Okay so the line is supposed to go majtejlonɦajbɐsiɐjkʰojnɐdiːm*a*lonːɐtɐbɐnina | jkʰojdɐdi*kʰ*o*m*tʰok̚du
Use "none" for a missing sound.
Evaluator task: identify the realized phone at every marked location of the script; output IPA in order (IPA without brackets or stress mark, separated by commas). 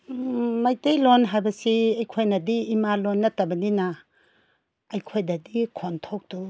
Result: a, kʰ, n